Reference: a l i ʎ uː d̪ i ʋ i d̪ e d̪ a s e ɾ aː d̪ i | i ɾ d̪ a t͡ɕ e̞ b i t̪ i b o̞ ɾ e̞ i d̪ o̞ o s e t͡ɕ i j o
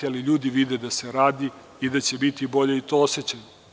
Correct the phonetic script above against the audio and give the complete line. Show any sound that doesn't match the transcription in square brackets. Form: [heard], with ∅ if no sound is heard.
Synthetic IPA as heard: a l i ʎ uː d̪ i ʋ i d̪ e d̪ a s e ɾ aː d̪ i | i [∅] d̪ a t͡ɕ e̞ b i t̪ i b o̞ [ʎ] e̞ i [t̪] o̞ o s e t͡ɕ [a] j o